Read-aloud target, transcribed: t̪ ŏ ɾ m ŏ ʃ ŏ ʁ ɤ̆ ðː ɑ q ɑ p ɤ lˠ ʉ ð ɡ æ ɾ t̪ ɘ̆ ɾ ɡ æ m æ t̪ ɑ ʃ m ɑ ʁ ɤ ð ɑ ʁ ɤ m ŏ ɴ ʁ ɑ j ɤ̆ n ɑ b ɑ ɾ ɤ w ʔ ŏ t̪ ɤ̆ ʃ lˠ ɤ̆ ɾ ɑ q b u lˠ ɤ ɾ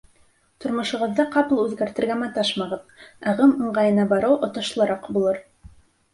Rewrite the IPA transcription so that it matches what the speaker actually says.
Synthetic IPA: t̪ ŏ ɾ m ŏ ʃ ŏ ʁ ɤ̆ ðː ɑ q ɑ p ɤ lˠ ʉ ð ɡ æ ɾ t̪ ɘ̆ ɾ ɡ æ m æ t̪ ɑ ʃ m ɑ ʁ ɤ ð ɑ ʁ ɤ m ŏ ɴ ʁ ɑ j ɤ̆ n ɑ b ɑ ɾ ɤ w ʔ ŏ t̪ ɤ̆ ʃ lˠ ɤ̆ ɾ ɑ q b u lˠ ɤ ɾ

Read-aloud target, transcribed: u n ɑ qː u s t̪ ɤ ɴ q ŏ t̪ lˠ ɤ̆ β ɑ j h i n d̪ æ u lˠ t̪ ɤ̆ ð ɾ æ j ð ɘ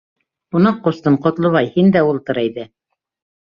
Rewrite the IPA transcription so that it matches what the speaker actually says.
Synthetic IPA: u n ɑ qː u s t̪ ɤ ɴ q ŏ t̪ lˠ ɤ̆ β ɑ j h i n d̪ æ u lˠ t̪ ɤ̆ ɾ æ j ð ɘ

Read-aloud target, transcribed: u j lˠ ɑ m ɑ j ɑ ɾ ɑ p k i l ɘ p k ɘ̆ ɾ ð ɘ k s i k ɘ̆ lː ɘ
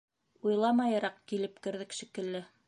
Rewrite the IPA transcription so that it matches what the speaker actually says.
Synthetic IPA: u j lˠ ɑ m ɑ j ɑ ɾ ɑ q k i l ɘ p k ɘ̆ ɾ ð ɘ k ʃ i k ɘ̆ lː ɘ

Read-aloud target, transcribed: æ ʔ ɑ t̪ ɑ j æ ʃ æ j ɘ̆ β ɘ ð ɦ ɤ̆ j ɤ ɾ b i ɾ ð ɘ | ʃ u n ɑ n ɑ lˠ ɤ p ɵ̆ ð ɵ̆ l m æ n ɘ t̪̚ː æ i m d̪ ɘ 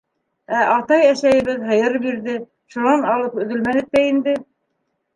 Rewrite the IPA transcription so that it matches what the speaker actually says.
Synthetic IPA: æ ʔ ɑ t̪ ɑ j æ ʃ æ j ɘ̆ β ɘ ð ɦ ɤ̆ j ɤ ɾ b i ɾ ð ɘ | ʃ u n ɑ n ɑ lˠ ɤ p ɵ̆ ð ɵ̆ l m æ n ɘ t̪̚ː æ i n d̪ ɘ

